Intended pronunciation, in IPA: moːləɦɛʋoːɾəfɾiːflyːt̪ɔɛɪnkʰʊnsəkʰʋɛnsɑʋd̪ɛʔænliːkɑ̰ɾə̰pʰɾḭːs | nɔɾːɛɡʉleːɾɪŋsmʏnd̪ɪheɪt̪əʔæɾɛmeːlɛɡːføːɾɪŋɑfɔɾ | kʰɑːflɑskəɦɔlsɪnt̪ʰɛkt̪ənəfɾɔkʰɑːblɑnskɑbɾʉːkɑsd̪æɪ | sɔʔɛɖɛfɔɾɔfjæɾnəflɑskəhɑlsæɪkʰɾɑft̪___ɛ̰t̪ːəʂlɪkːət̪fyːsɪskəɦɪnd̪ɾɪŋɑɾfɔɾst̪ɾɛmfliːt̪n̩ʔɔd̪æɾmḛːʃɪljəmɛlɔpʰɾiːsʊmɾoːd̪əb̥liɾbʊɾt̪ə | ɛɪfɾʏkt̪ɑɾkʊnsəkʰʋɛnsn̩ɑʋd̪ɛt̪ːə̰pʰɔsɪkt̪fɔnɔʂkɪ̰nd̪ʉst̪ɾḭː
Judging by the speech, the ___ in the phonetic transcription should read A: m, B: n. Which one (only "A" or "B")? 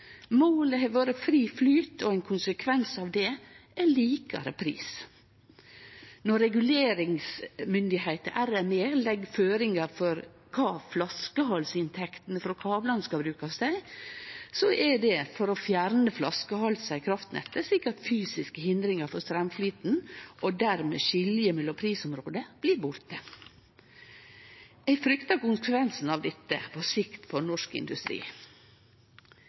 B